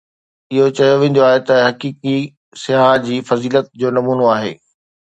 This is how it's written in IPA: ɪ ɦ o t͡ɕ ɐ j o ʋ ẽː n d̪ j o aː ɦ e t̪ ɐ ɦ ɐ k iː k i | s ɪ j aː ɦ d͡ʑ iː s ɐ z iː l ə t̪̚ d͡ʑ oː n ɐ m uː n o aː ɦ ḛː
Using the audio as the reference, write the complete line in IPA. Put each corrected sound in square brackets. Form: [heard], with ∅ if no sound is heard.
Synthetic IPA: ɪ ɦ o t͡ɕ ɐ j o ʋ ẽː n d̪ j o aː ɦ e t̪ ɐ ɦ ɐ k iː k i | s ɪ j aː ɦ d͡ʑ iː [f] ɐ z iː l ə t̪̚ d͡ʑ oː n ɐ m uː n o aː ɦ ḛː